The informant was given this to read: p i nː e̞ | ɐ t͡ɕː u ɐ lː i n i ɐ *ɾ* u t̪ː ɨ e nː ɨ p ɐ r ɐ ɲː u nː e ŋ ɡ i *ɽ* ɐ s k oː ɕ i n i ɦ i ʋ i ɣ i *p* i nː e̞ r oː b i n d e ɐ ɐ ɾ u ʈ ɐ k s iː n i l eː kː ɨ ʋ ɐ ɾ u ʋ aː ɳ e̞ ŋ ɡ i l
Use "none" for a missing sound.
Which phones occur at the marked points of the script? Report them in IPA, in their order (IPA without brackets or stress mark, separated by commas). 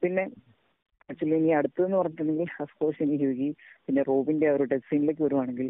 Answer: ɽ, l, p